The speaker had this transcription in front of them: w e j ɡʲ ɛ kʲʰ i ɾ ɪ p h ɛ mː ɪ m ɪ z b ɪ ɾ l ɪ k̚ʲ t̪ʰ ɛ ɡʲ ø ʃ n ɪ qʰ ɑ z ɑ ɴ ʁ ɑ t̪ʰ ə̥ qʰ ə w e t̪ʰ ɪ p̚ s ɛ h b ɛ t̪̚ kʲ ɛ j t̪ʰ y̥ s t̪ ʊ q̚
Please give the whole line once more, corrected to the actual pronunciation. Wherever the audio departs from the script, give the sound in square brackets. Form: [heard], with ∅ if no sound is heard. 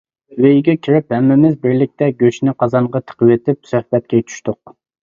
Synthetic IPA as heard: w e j ɡʲ ɛ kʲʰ i ɾ ɪ p h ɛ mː ɪ m ɪ z b ɪ ɾ l ɪ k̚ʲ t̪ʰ ɛ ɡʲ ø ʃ n ɪ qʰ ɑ z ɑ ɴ ʁ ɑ t̪ʰ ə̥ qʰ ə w e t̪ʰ ɪ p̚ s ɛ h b ɛ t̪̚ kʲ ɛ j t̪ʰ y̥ [ʃ] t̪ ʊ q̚